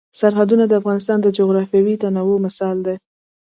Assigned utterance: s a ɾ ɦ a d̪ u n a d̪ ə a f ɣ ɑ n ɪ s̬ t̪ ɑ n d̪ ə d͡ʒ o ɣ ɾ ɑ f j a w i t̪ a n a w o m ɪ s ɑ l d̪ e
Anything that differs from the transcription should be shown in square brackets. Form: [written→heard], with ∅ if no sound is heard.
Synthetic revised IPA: s a ɾ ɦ a d̪ u n a d̪ ə a f ɣ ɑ n ɪ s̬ t̪ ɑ n d̪ ə d͡ʒ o ɣ ɾ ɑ f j a w i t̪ a n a w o m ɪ s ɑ l d̪ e